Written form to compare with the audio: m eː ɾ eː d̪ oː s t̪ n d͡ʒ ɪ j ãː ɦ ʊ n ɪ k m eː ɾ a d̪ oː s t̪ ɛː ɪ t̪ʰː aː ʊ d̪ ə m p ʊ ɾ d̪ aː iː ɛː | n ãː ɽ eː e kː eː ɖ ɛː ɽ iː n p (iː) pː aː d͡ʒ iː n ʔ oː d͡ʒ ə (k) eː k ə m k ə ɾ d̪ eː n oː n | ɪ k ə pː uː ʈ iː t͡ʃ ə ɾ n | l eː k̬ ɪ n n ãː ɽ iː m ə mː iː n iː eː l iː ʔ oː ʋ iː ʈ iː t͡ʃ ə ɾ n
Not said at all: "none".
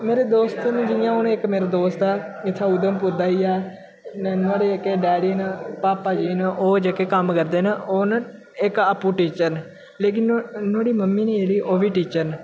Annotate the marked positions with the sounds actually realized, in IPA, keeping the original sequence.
aː, k

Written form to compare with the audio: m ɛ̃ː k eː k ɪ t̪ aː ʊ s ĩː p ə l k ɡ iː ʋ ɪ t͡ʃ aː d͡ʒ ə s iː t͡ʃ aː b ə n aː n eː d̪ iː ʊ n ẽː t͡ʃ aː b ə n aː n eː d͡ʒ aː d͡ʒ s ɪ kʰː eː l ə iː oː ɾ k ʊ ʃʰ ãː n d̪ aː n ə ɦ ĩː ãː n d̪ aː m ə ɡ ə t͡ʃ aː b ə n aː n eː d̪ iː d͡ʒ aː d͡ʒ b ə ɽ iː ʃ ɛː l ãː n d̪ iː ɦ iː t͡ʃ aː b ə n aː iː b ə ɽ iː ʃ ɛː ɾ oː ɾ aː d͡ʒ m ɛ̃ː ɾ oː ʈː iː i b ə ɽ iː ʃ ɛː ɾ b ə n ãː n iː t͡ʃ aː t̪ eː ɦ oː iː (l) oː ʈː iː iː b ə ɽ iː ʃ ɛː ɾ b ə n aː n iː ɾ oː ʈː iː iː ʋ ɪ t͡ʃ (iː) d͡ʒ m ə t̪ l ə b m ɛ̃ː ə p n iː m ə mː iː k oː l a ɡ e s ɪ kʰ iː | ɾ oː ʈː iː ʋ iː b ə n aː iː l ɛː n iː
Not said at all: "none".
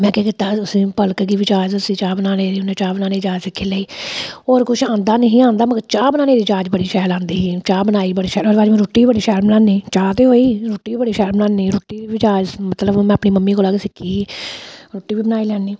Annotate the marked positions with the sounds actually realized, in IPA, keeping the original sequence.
ɾ, aː

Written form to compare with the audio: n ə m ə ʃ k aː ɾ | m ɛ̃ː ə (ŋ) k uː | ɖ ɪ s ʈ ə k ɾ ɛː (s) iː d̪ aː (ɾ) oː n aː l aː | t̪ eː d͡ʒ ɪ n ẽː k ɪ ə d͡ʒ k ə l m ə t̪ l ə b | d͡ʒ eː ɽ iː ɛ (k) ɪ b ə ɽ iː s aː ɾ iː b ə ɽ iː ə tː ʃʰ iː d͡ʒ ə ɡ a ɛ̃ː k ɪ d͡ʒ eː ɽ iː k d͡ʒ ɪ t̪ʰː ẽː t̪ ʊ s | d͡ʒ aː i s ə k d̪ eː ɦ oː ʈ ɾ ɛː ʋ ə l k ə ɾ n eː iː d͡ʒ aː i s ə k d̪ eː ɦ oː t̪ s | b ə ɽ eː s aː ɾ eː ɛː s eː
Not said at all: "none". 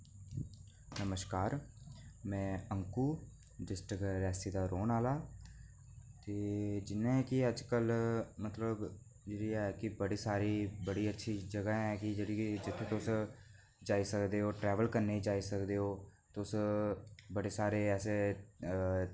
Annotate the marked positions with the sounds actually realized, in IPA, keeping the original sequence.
ŋ, s, ɾ, k

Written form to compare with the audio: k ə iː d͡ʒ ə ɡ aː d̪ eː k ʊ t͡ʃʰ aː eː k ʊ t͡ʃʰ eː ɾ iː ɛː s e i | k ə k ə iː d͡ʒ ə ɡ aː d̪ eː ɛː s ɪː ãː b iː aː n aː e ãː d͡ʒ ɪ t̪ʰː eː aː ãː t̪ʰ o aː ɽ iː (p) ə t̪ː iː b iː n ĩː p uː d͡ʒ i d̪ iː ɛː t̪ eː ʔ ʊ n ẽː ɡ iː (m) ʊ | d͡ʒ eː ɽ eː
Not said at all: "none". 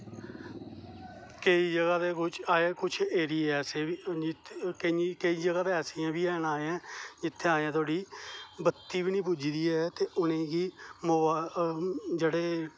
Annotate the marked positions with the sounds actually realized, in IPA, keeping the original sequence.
b, m

